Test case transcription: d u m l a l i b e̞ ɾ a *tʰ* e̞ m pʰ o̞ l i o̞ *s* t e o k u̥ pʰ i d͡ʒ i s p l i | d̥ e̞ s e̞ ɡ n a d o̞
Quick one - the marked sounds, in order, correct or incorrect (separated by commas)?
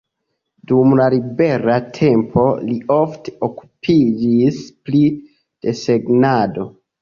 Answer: correct, incorrect